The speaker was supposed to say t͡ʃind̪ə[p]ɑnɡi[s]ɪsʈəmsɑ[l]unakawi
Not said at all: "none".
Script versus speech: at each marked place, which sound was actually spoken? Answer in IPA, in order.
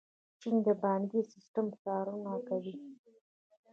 b, s, ɾ

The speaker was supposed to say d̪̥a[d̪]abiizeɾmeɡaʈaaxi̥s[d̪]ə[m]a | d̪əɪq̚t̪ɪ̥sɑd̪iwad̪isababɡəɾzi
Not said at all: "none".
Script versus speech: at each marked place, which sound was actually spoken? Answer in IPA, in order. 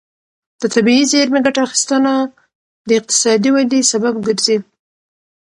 t̪, t̪, n

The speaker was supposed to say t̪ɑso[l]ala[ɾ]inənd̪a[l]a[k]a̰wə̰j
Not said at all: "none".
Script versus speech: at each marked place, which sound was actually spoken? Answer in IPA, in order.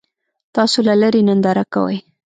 l, ɾ, ɾ, k

